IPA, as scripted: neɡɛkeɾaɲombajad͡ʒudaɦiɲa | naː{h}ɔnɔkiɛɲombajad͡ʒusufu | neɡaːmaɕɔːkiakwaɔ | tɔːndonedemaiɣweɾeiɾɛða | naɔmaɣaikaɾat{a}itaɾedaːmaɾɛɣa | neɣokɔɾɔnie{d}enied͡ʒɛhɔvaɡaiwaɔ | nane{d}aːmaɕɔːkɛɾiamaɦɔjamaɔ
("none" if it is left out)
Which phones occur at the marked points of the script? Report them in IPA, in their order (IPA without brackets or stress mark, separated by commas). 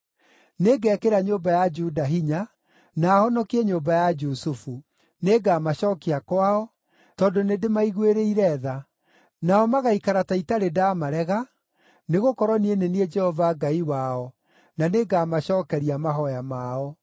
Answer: h, a, n, ɡ